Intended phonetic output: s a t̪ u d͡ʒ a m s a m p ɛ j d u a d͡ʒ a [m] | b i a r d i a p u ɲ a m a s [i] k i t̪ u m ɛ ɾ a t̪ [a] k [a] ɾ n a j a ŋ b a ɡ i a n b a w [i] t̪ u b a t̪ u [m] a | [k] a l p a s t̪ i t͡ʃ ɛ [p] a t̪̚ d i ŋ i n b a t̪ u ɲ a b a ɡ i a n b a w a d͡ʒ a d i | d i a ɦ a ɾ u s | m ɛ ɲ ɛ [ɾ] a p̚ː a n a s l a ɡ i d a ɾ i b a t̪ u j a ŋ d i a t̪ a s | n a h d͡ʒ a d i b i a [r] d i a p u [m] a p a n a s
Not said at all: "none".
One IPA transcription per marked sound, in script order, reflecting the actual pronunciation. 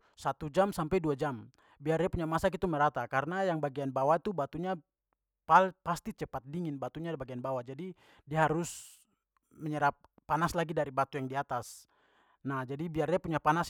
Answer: m, a, a, a, a, ɲ, p, p, ɾ, r, ɲ

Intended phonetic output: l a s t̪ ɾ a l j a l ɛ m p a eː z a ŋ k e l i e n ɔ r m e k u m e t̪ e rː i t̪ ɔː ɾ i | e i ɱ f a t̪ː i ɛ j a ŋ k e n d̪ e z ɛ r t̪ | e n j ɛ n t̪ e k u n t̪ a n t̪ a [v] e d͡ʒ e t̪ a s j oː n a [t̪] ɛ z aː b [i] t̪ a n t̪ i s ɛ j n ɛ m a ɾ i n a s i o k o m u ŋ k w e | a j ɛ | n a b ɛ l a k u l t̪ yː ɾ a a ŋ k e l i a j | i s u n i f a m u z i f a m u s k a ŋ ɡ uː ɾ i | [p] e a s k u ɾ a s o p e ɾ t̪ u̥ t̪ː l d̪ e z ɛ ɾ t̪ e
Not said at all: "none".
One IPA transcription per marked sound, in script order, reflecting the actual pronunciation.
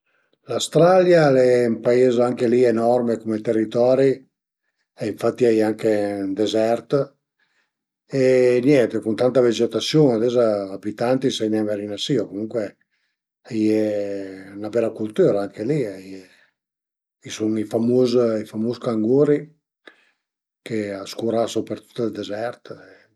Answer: v, d̪, i, k

